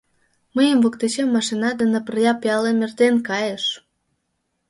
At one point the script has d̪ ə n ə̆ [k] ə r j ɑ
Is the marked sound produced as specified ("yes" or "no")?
no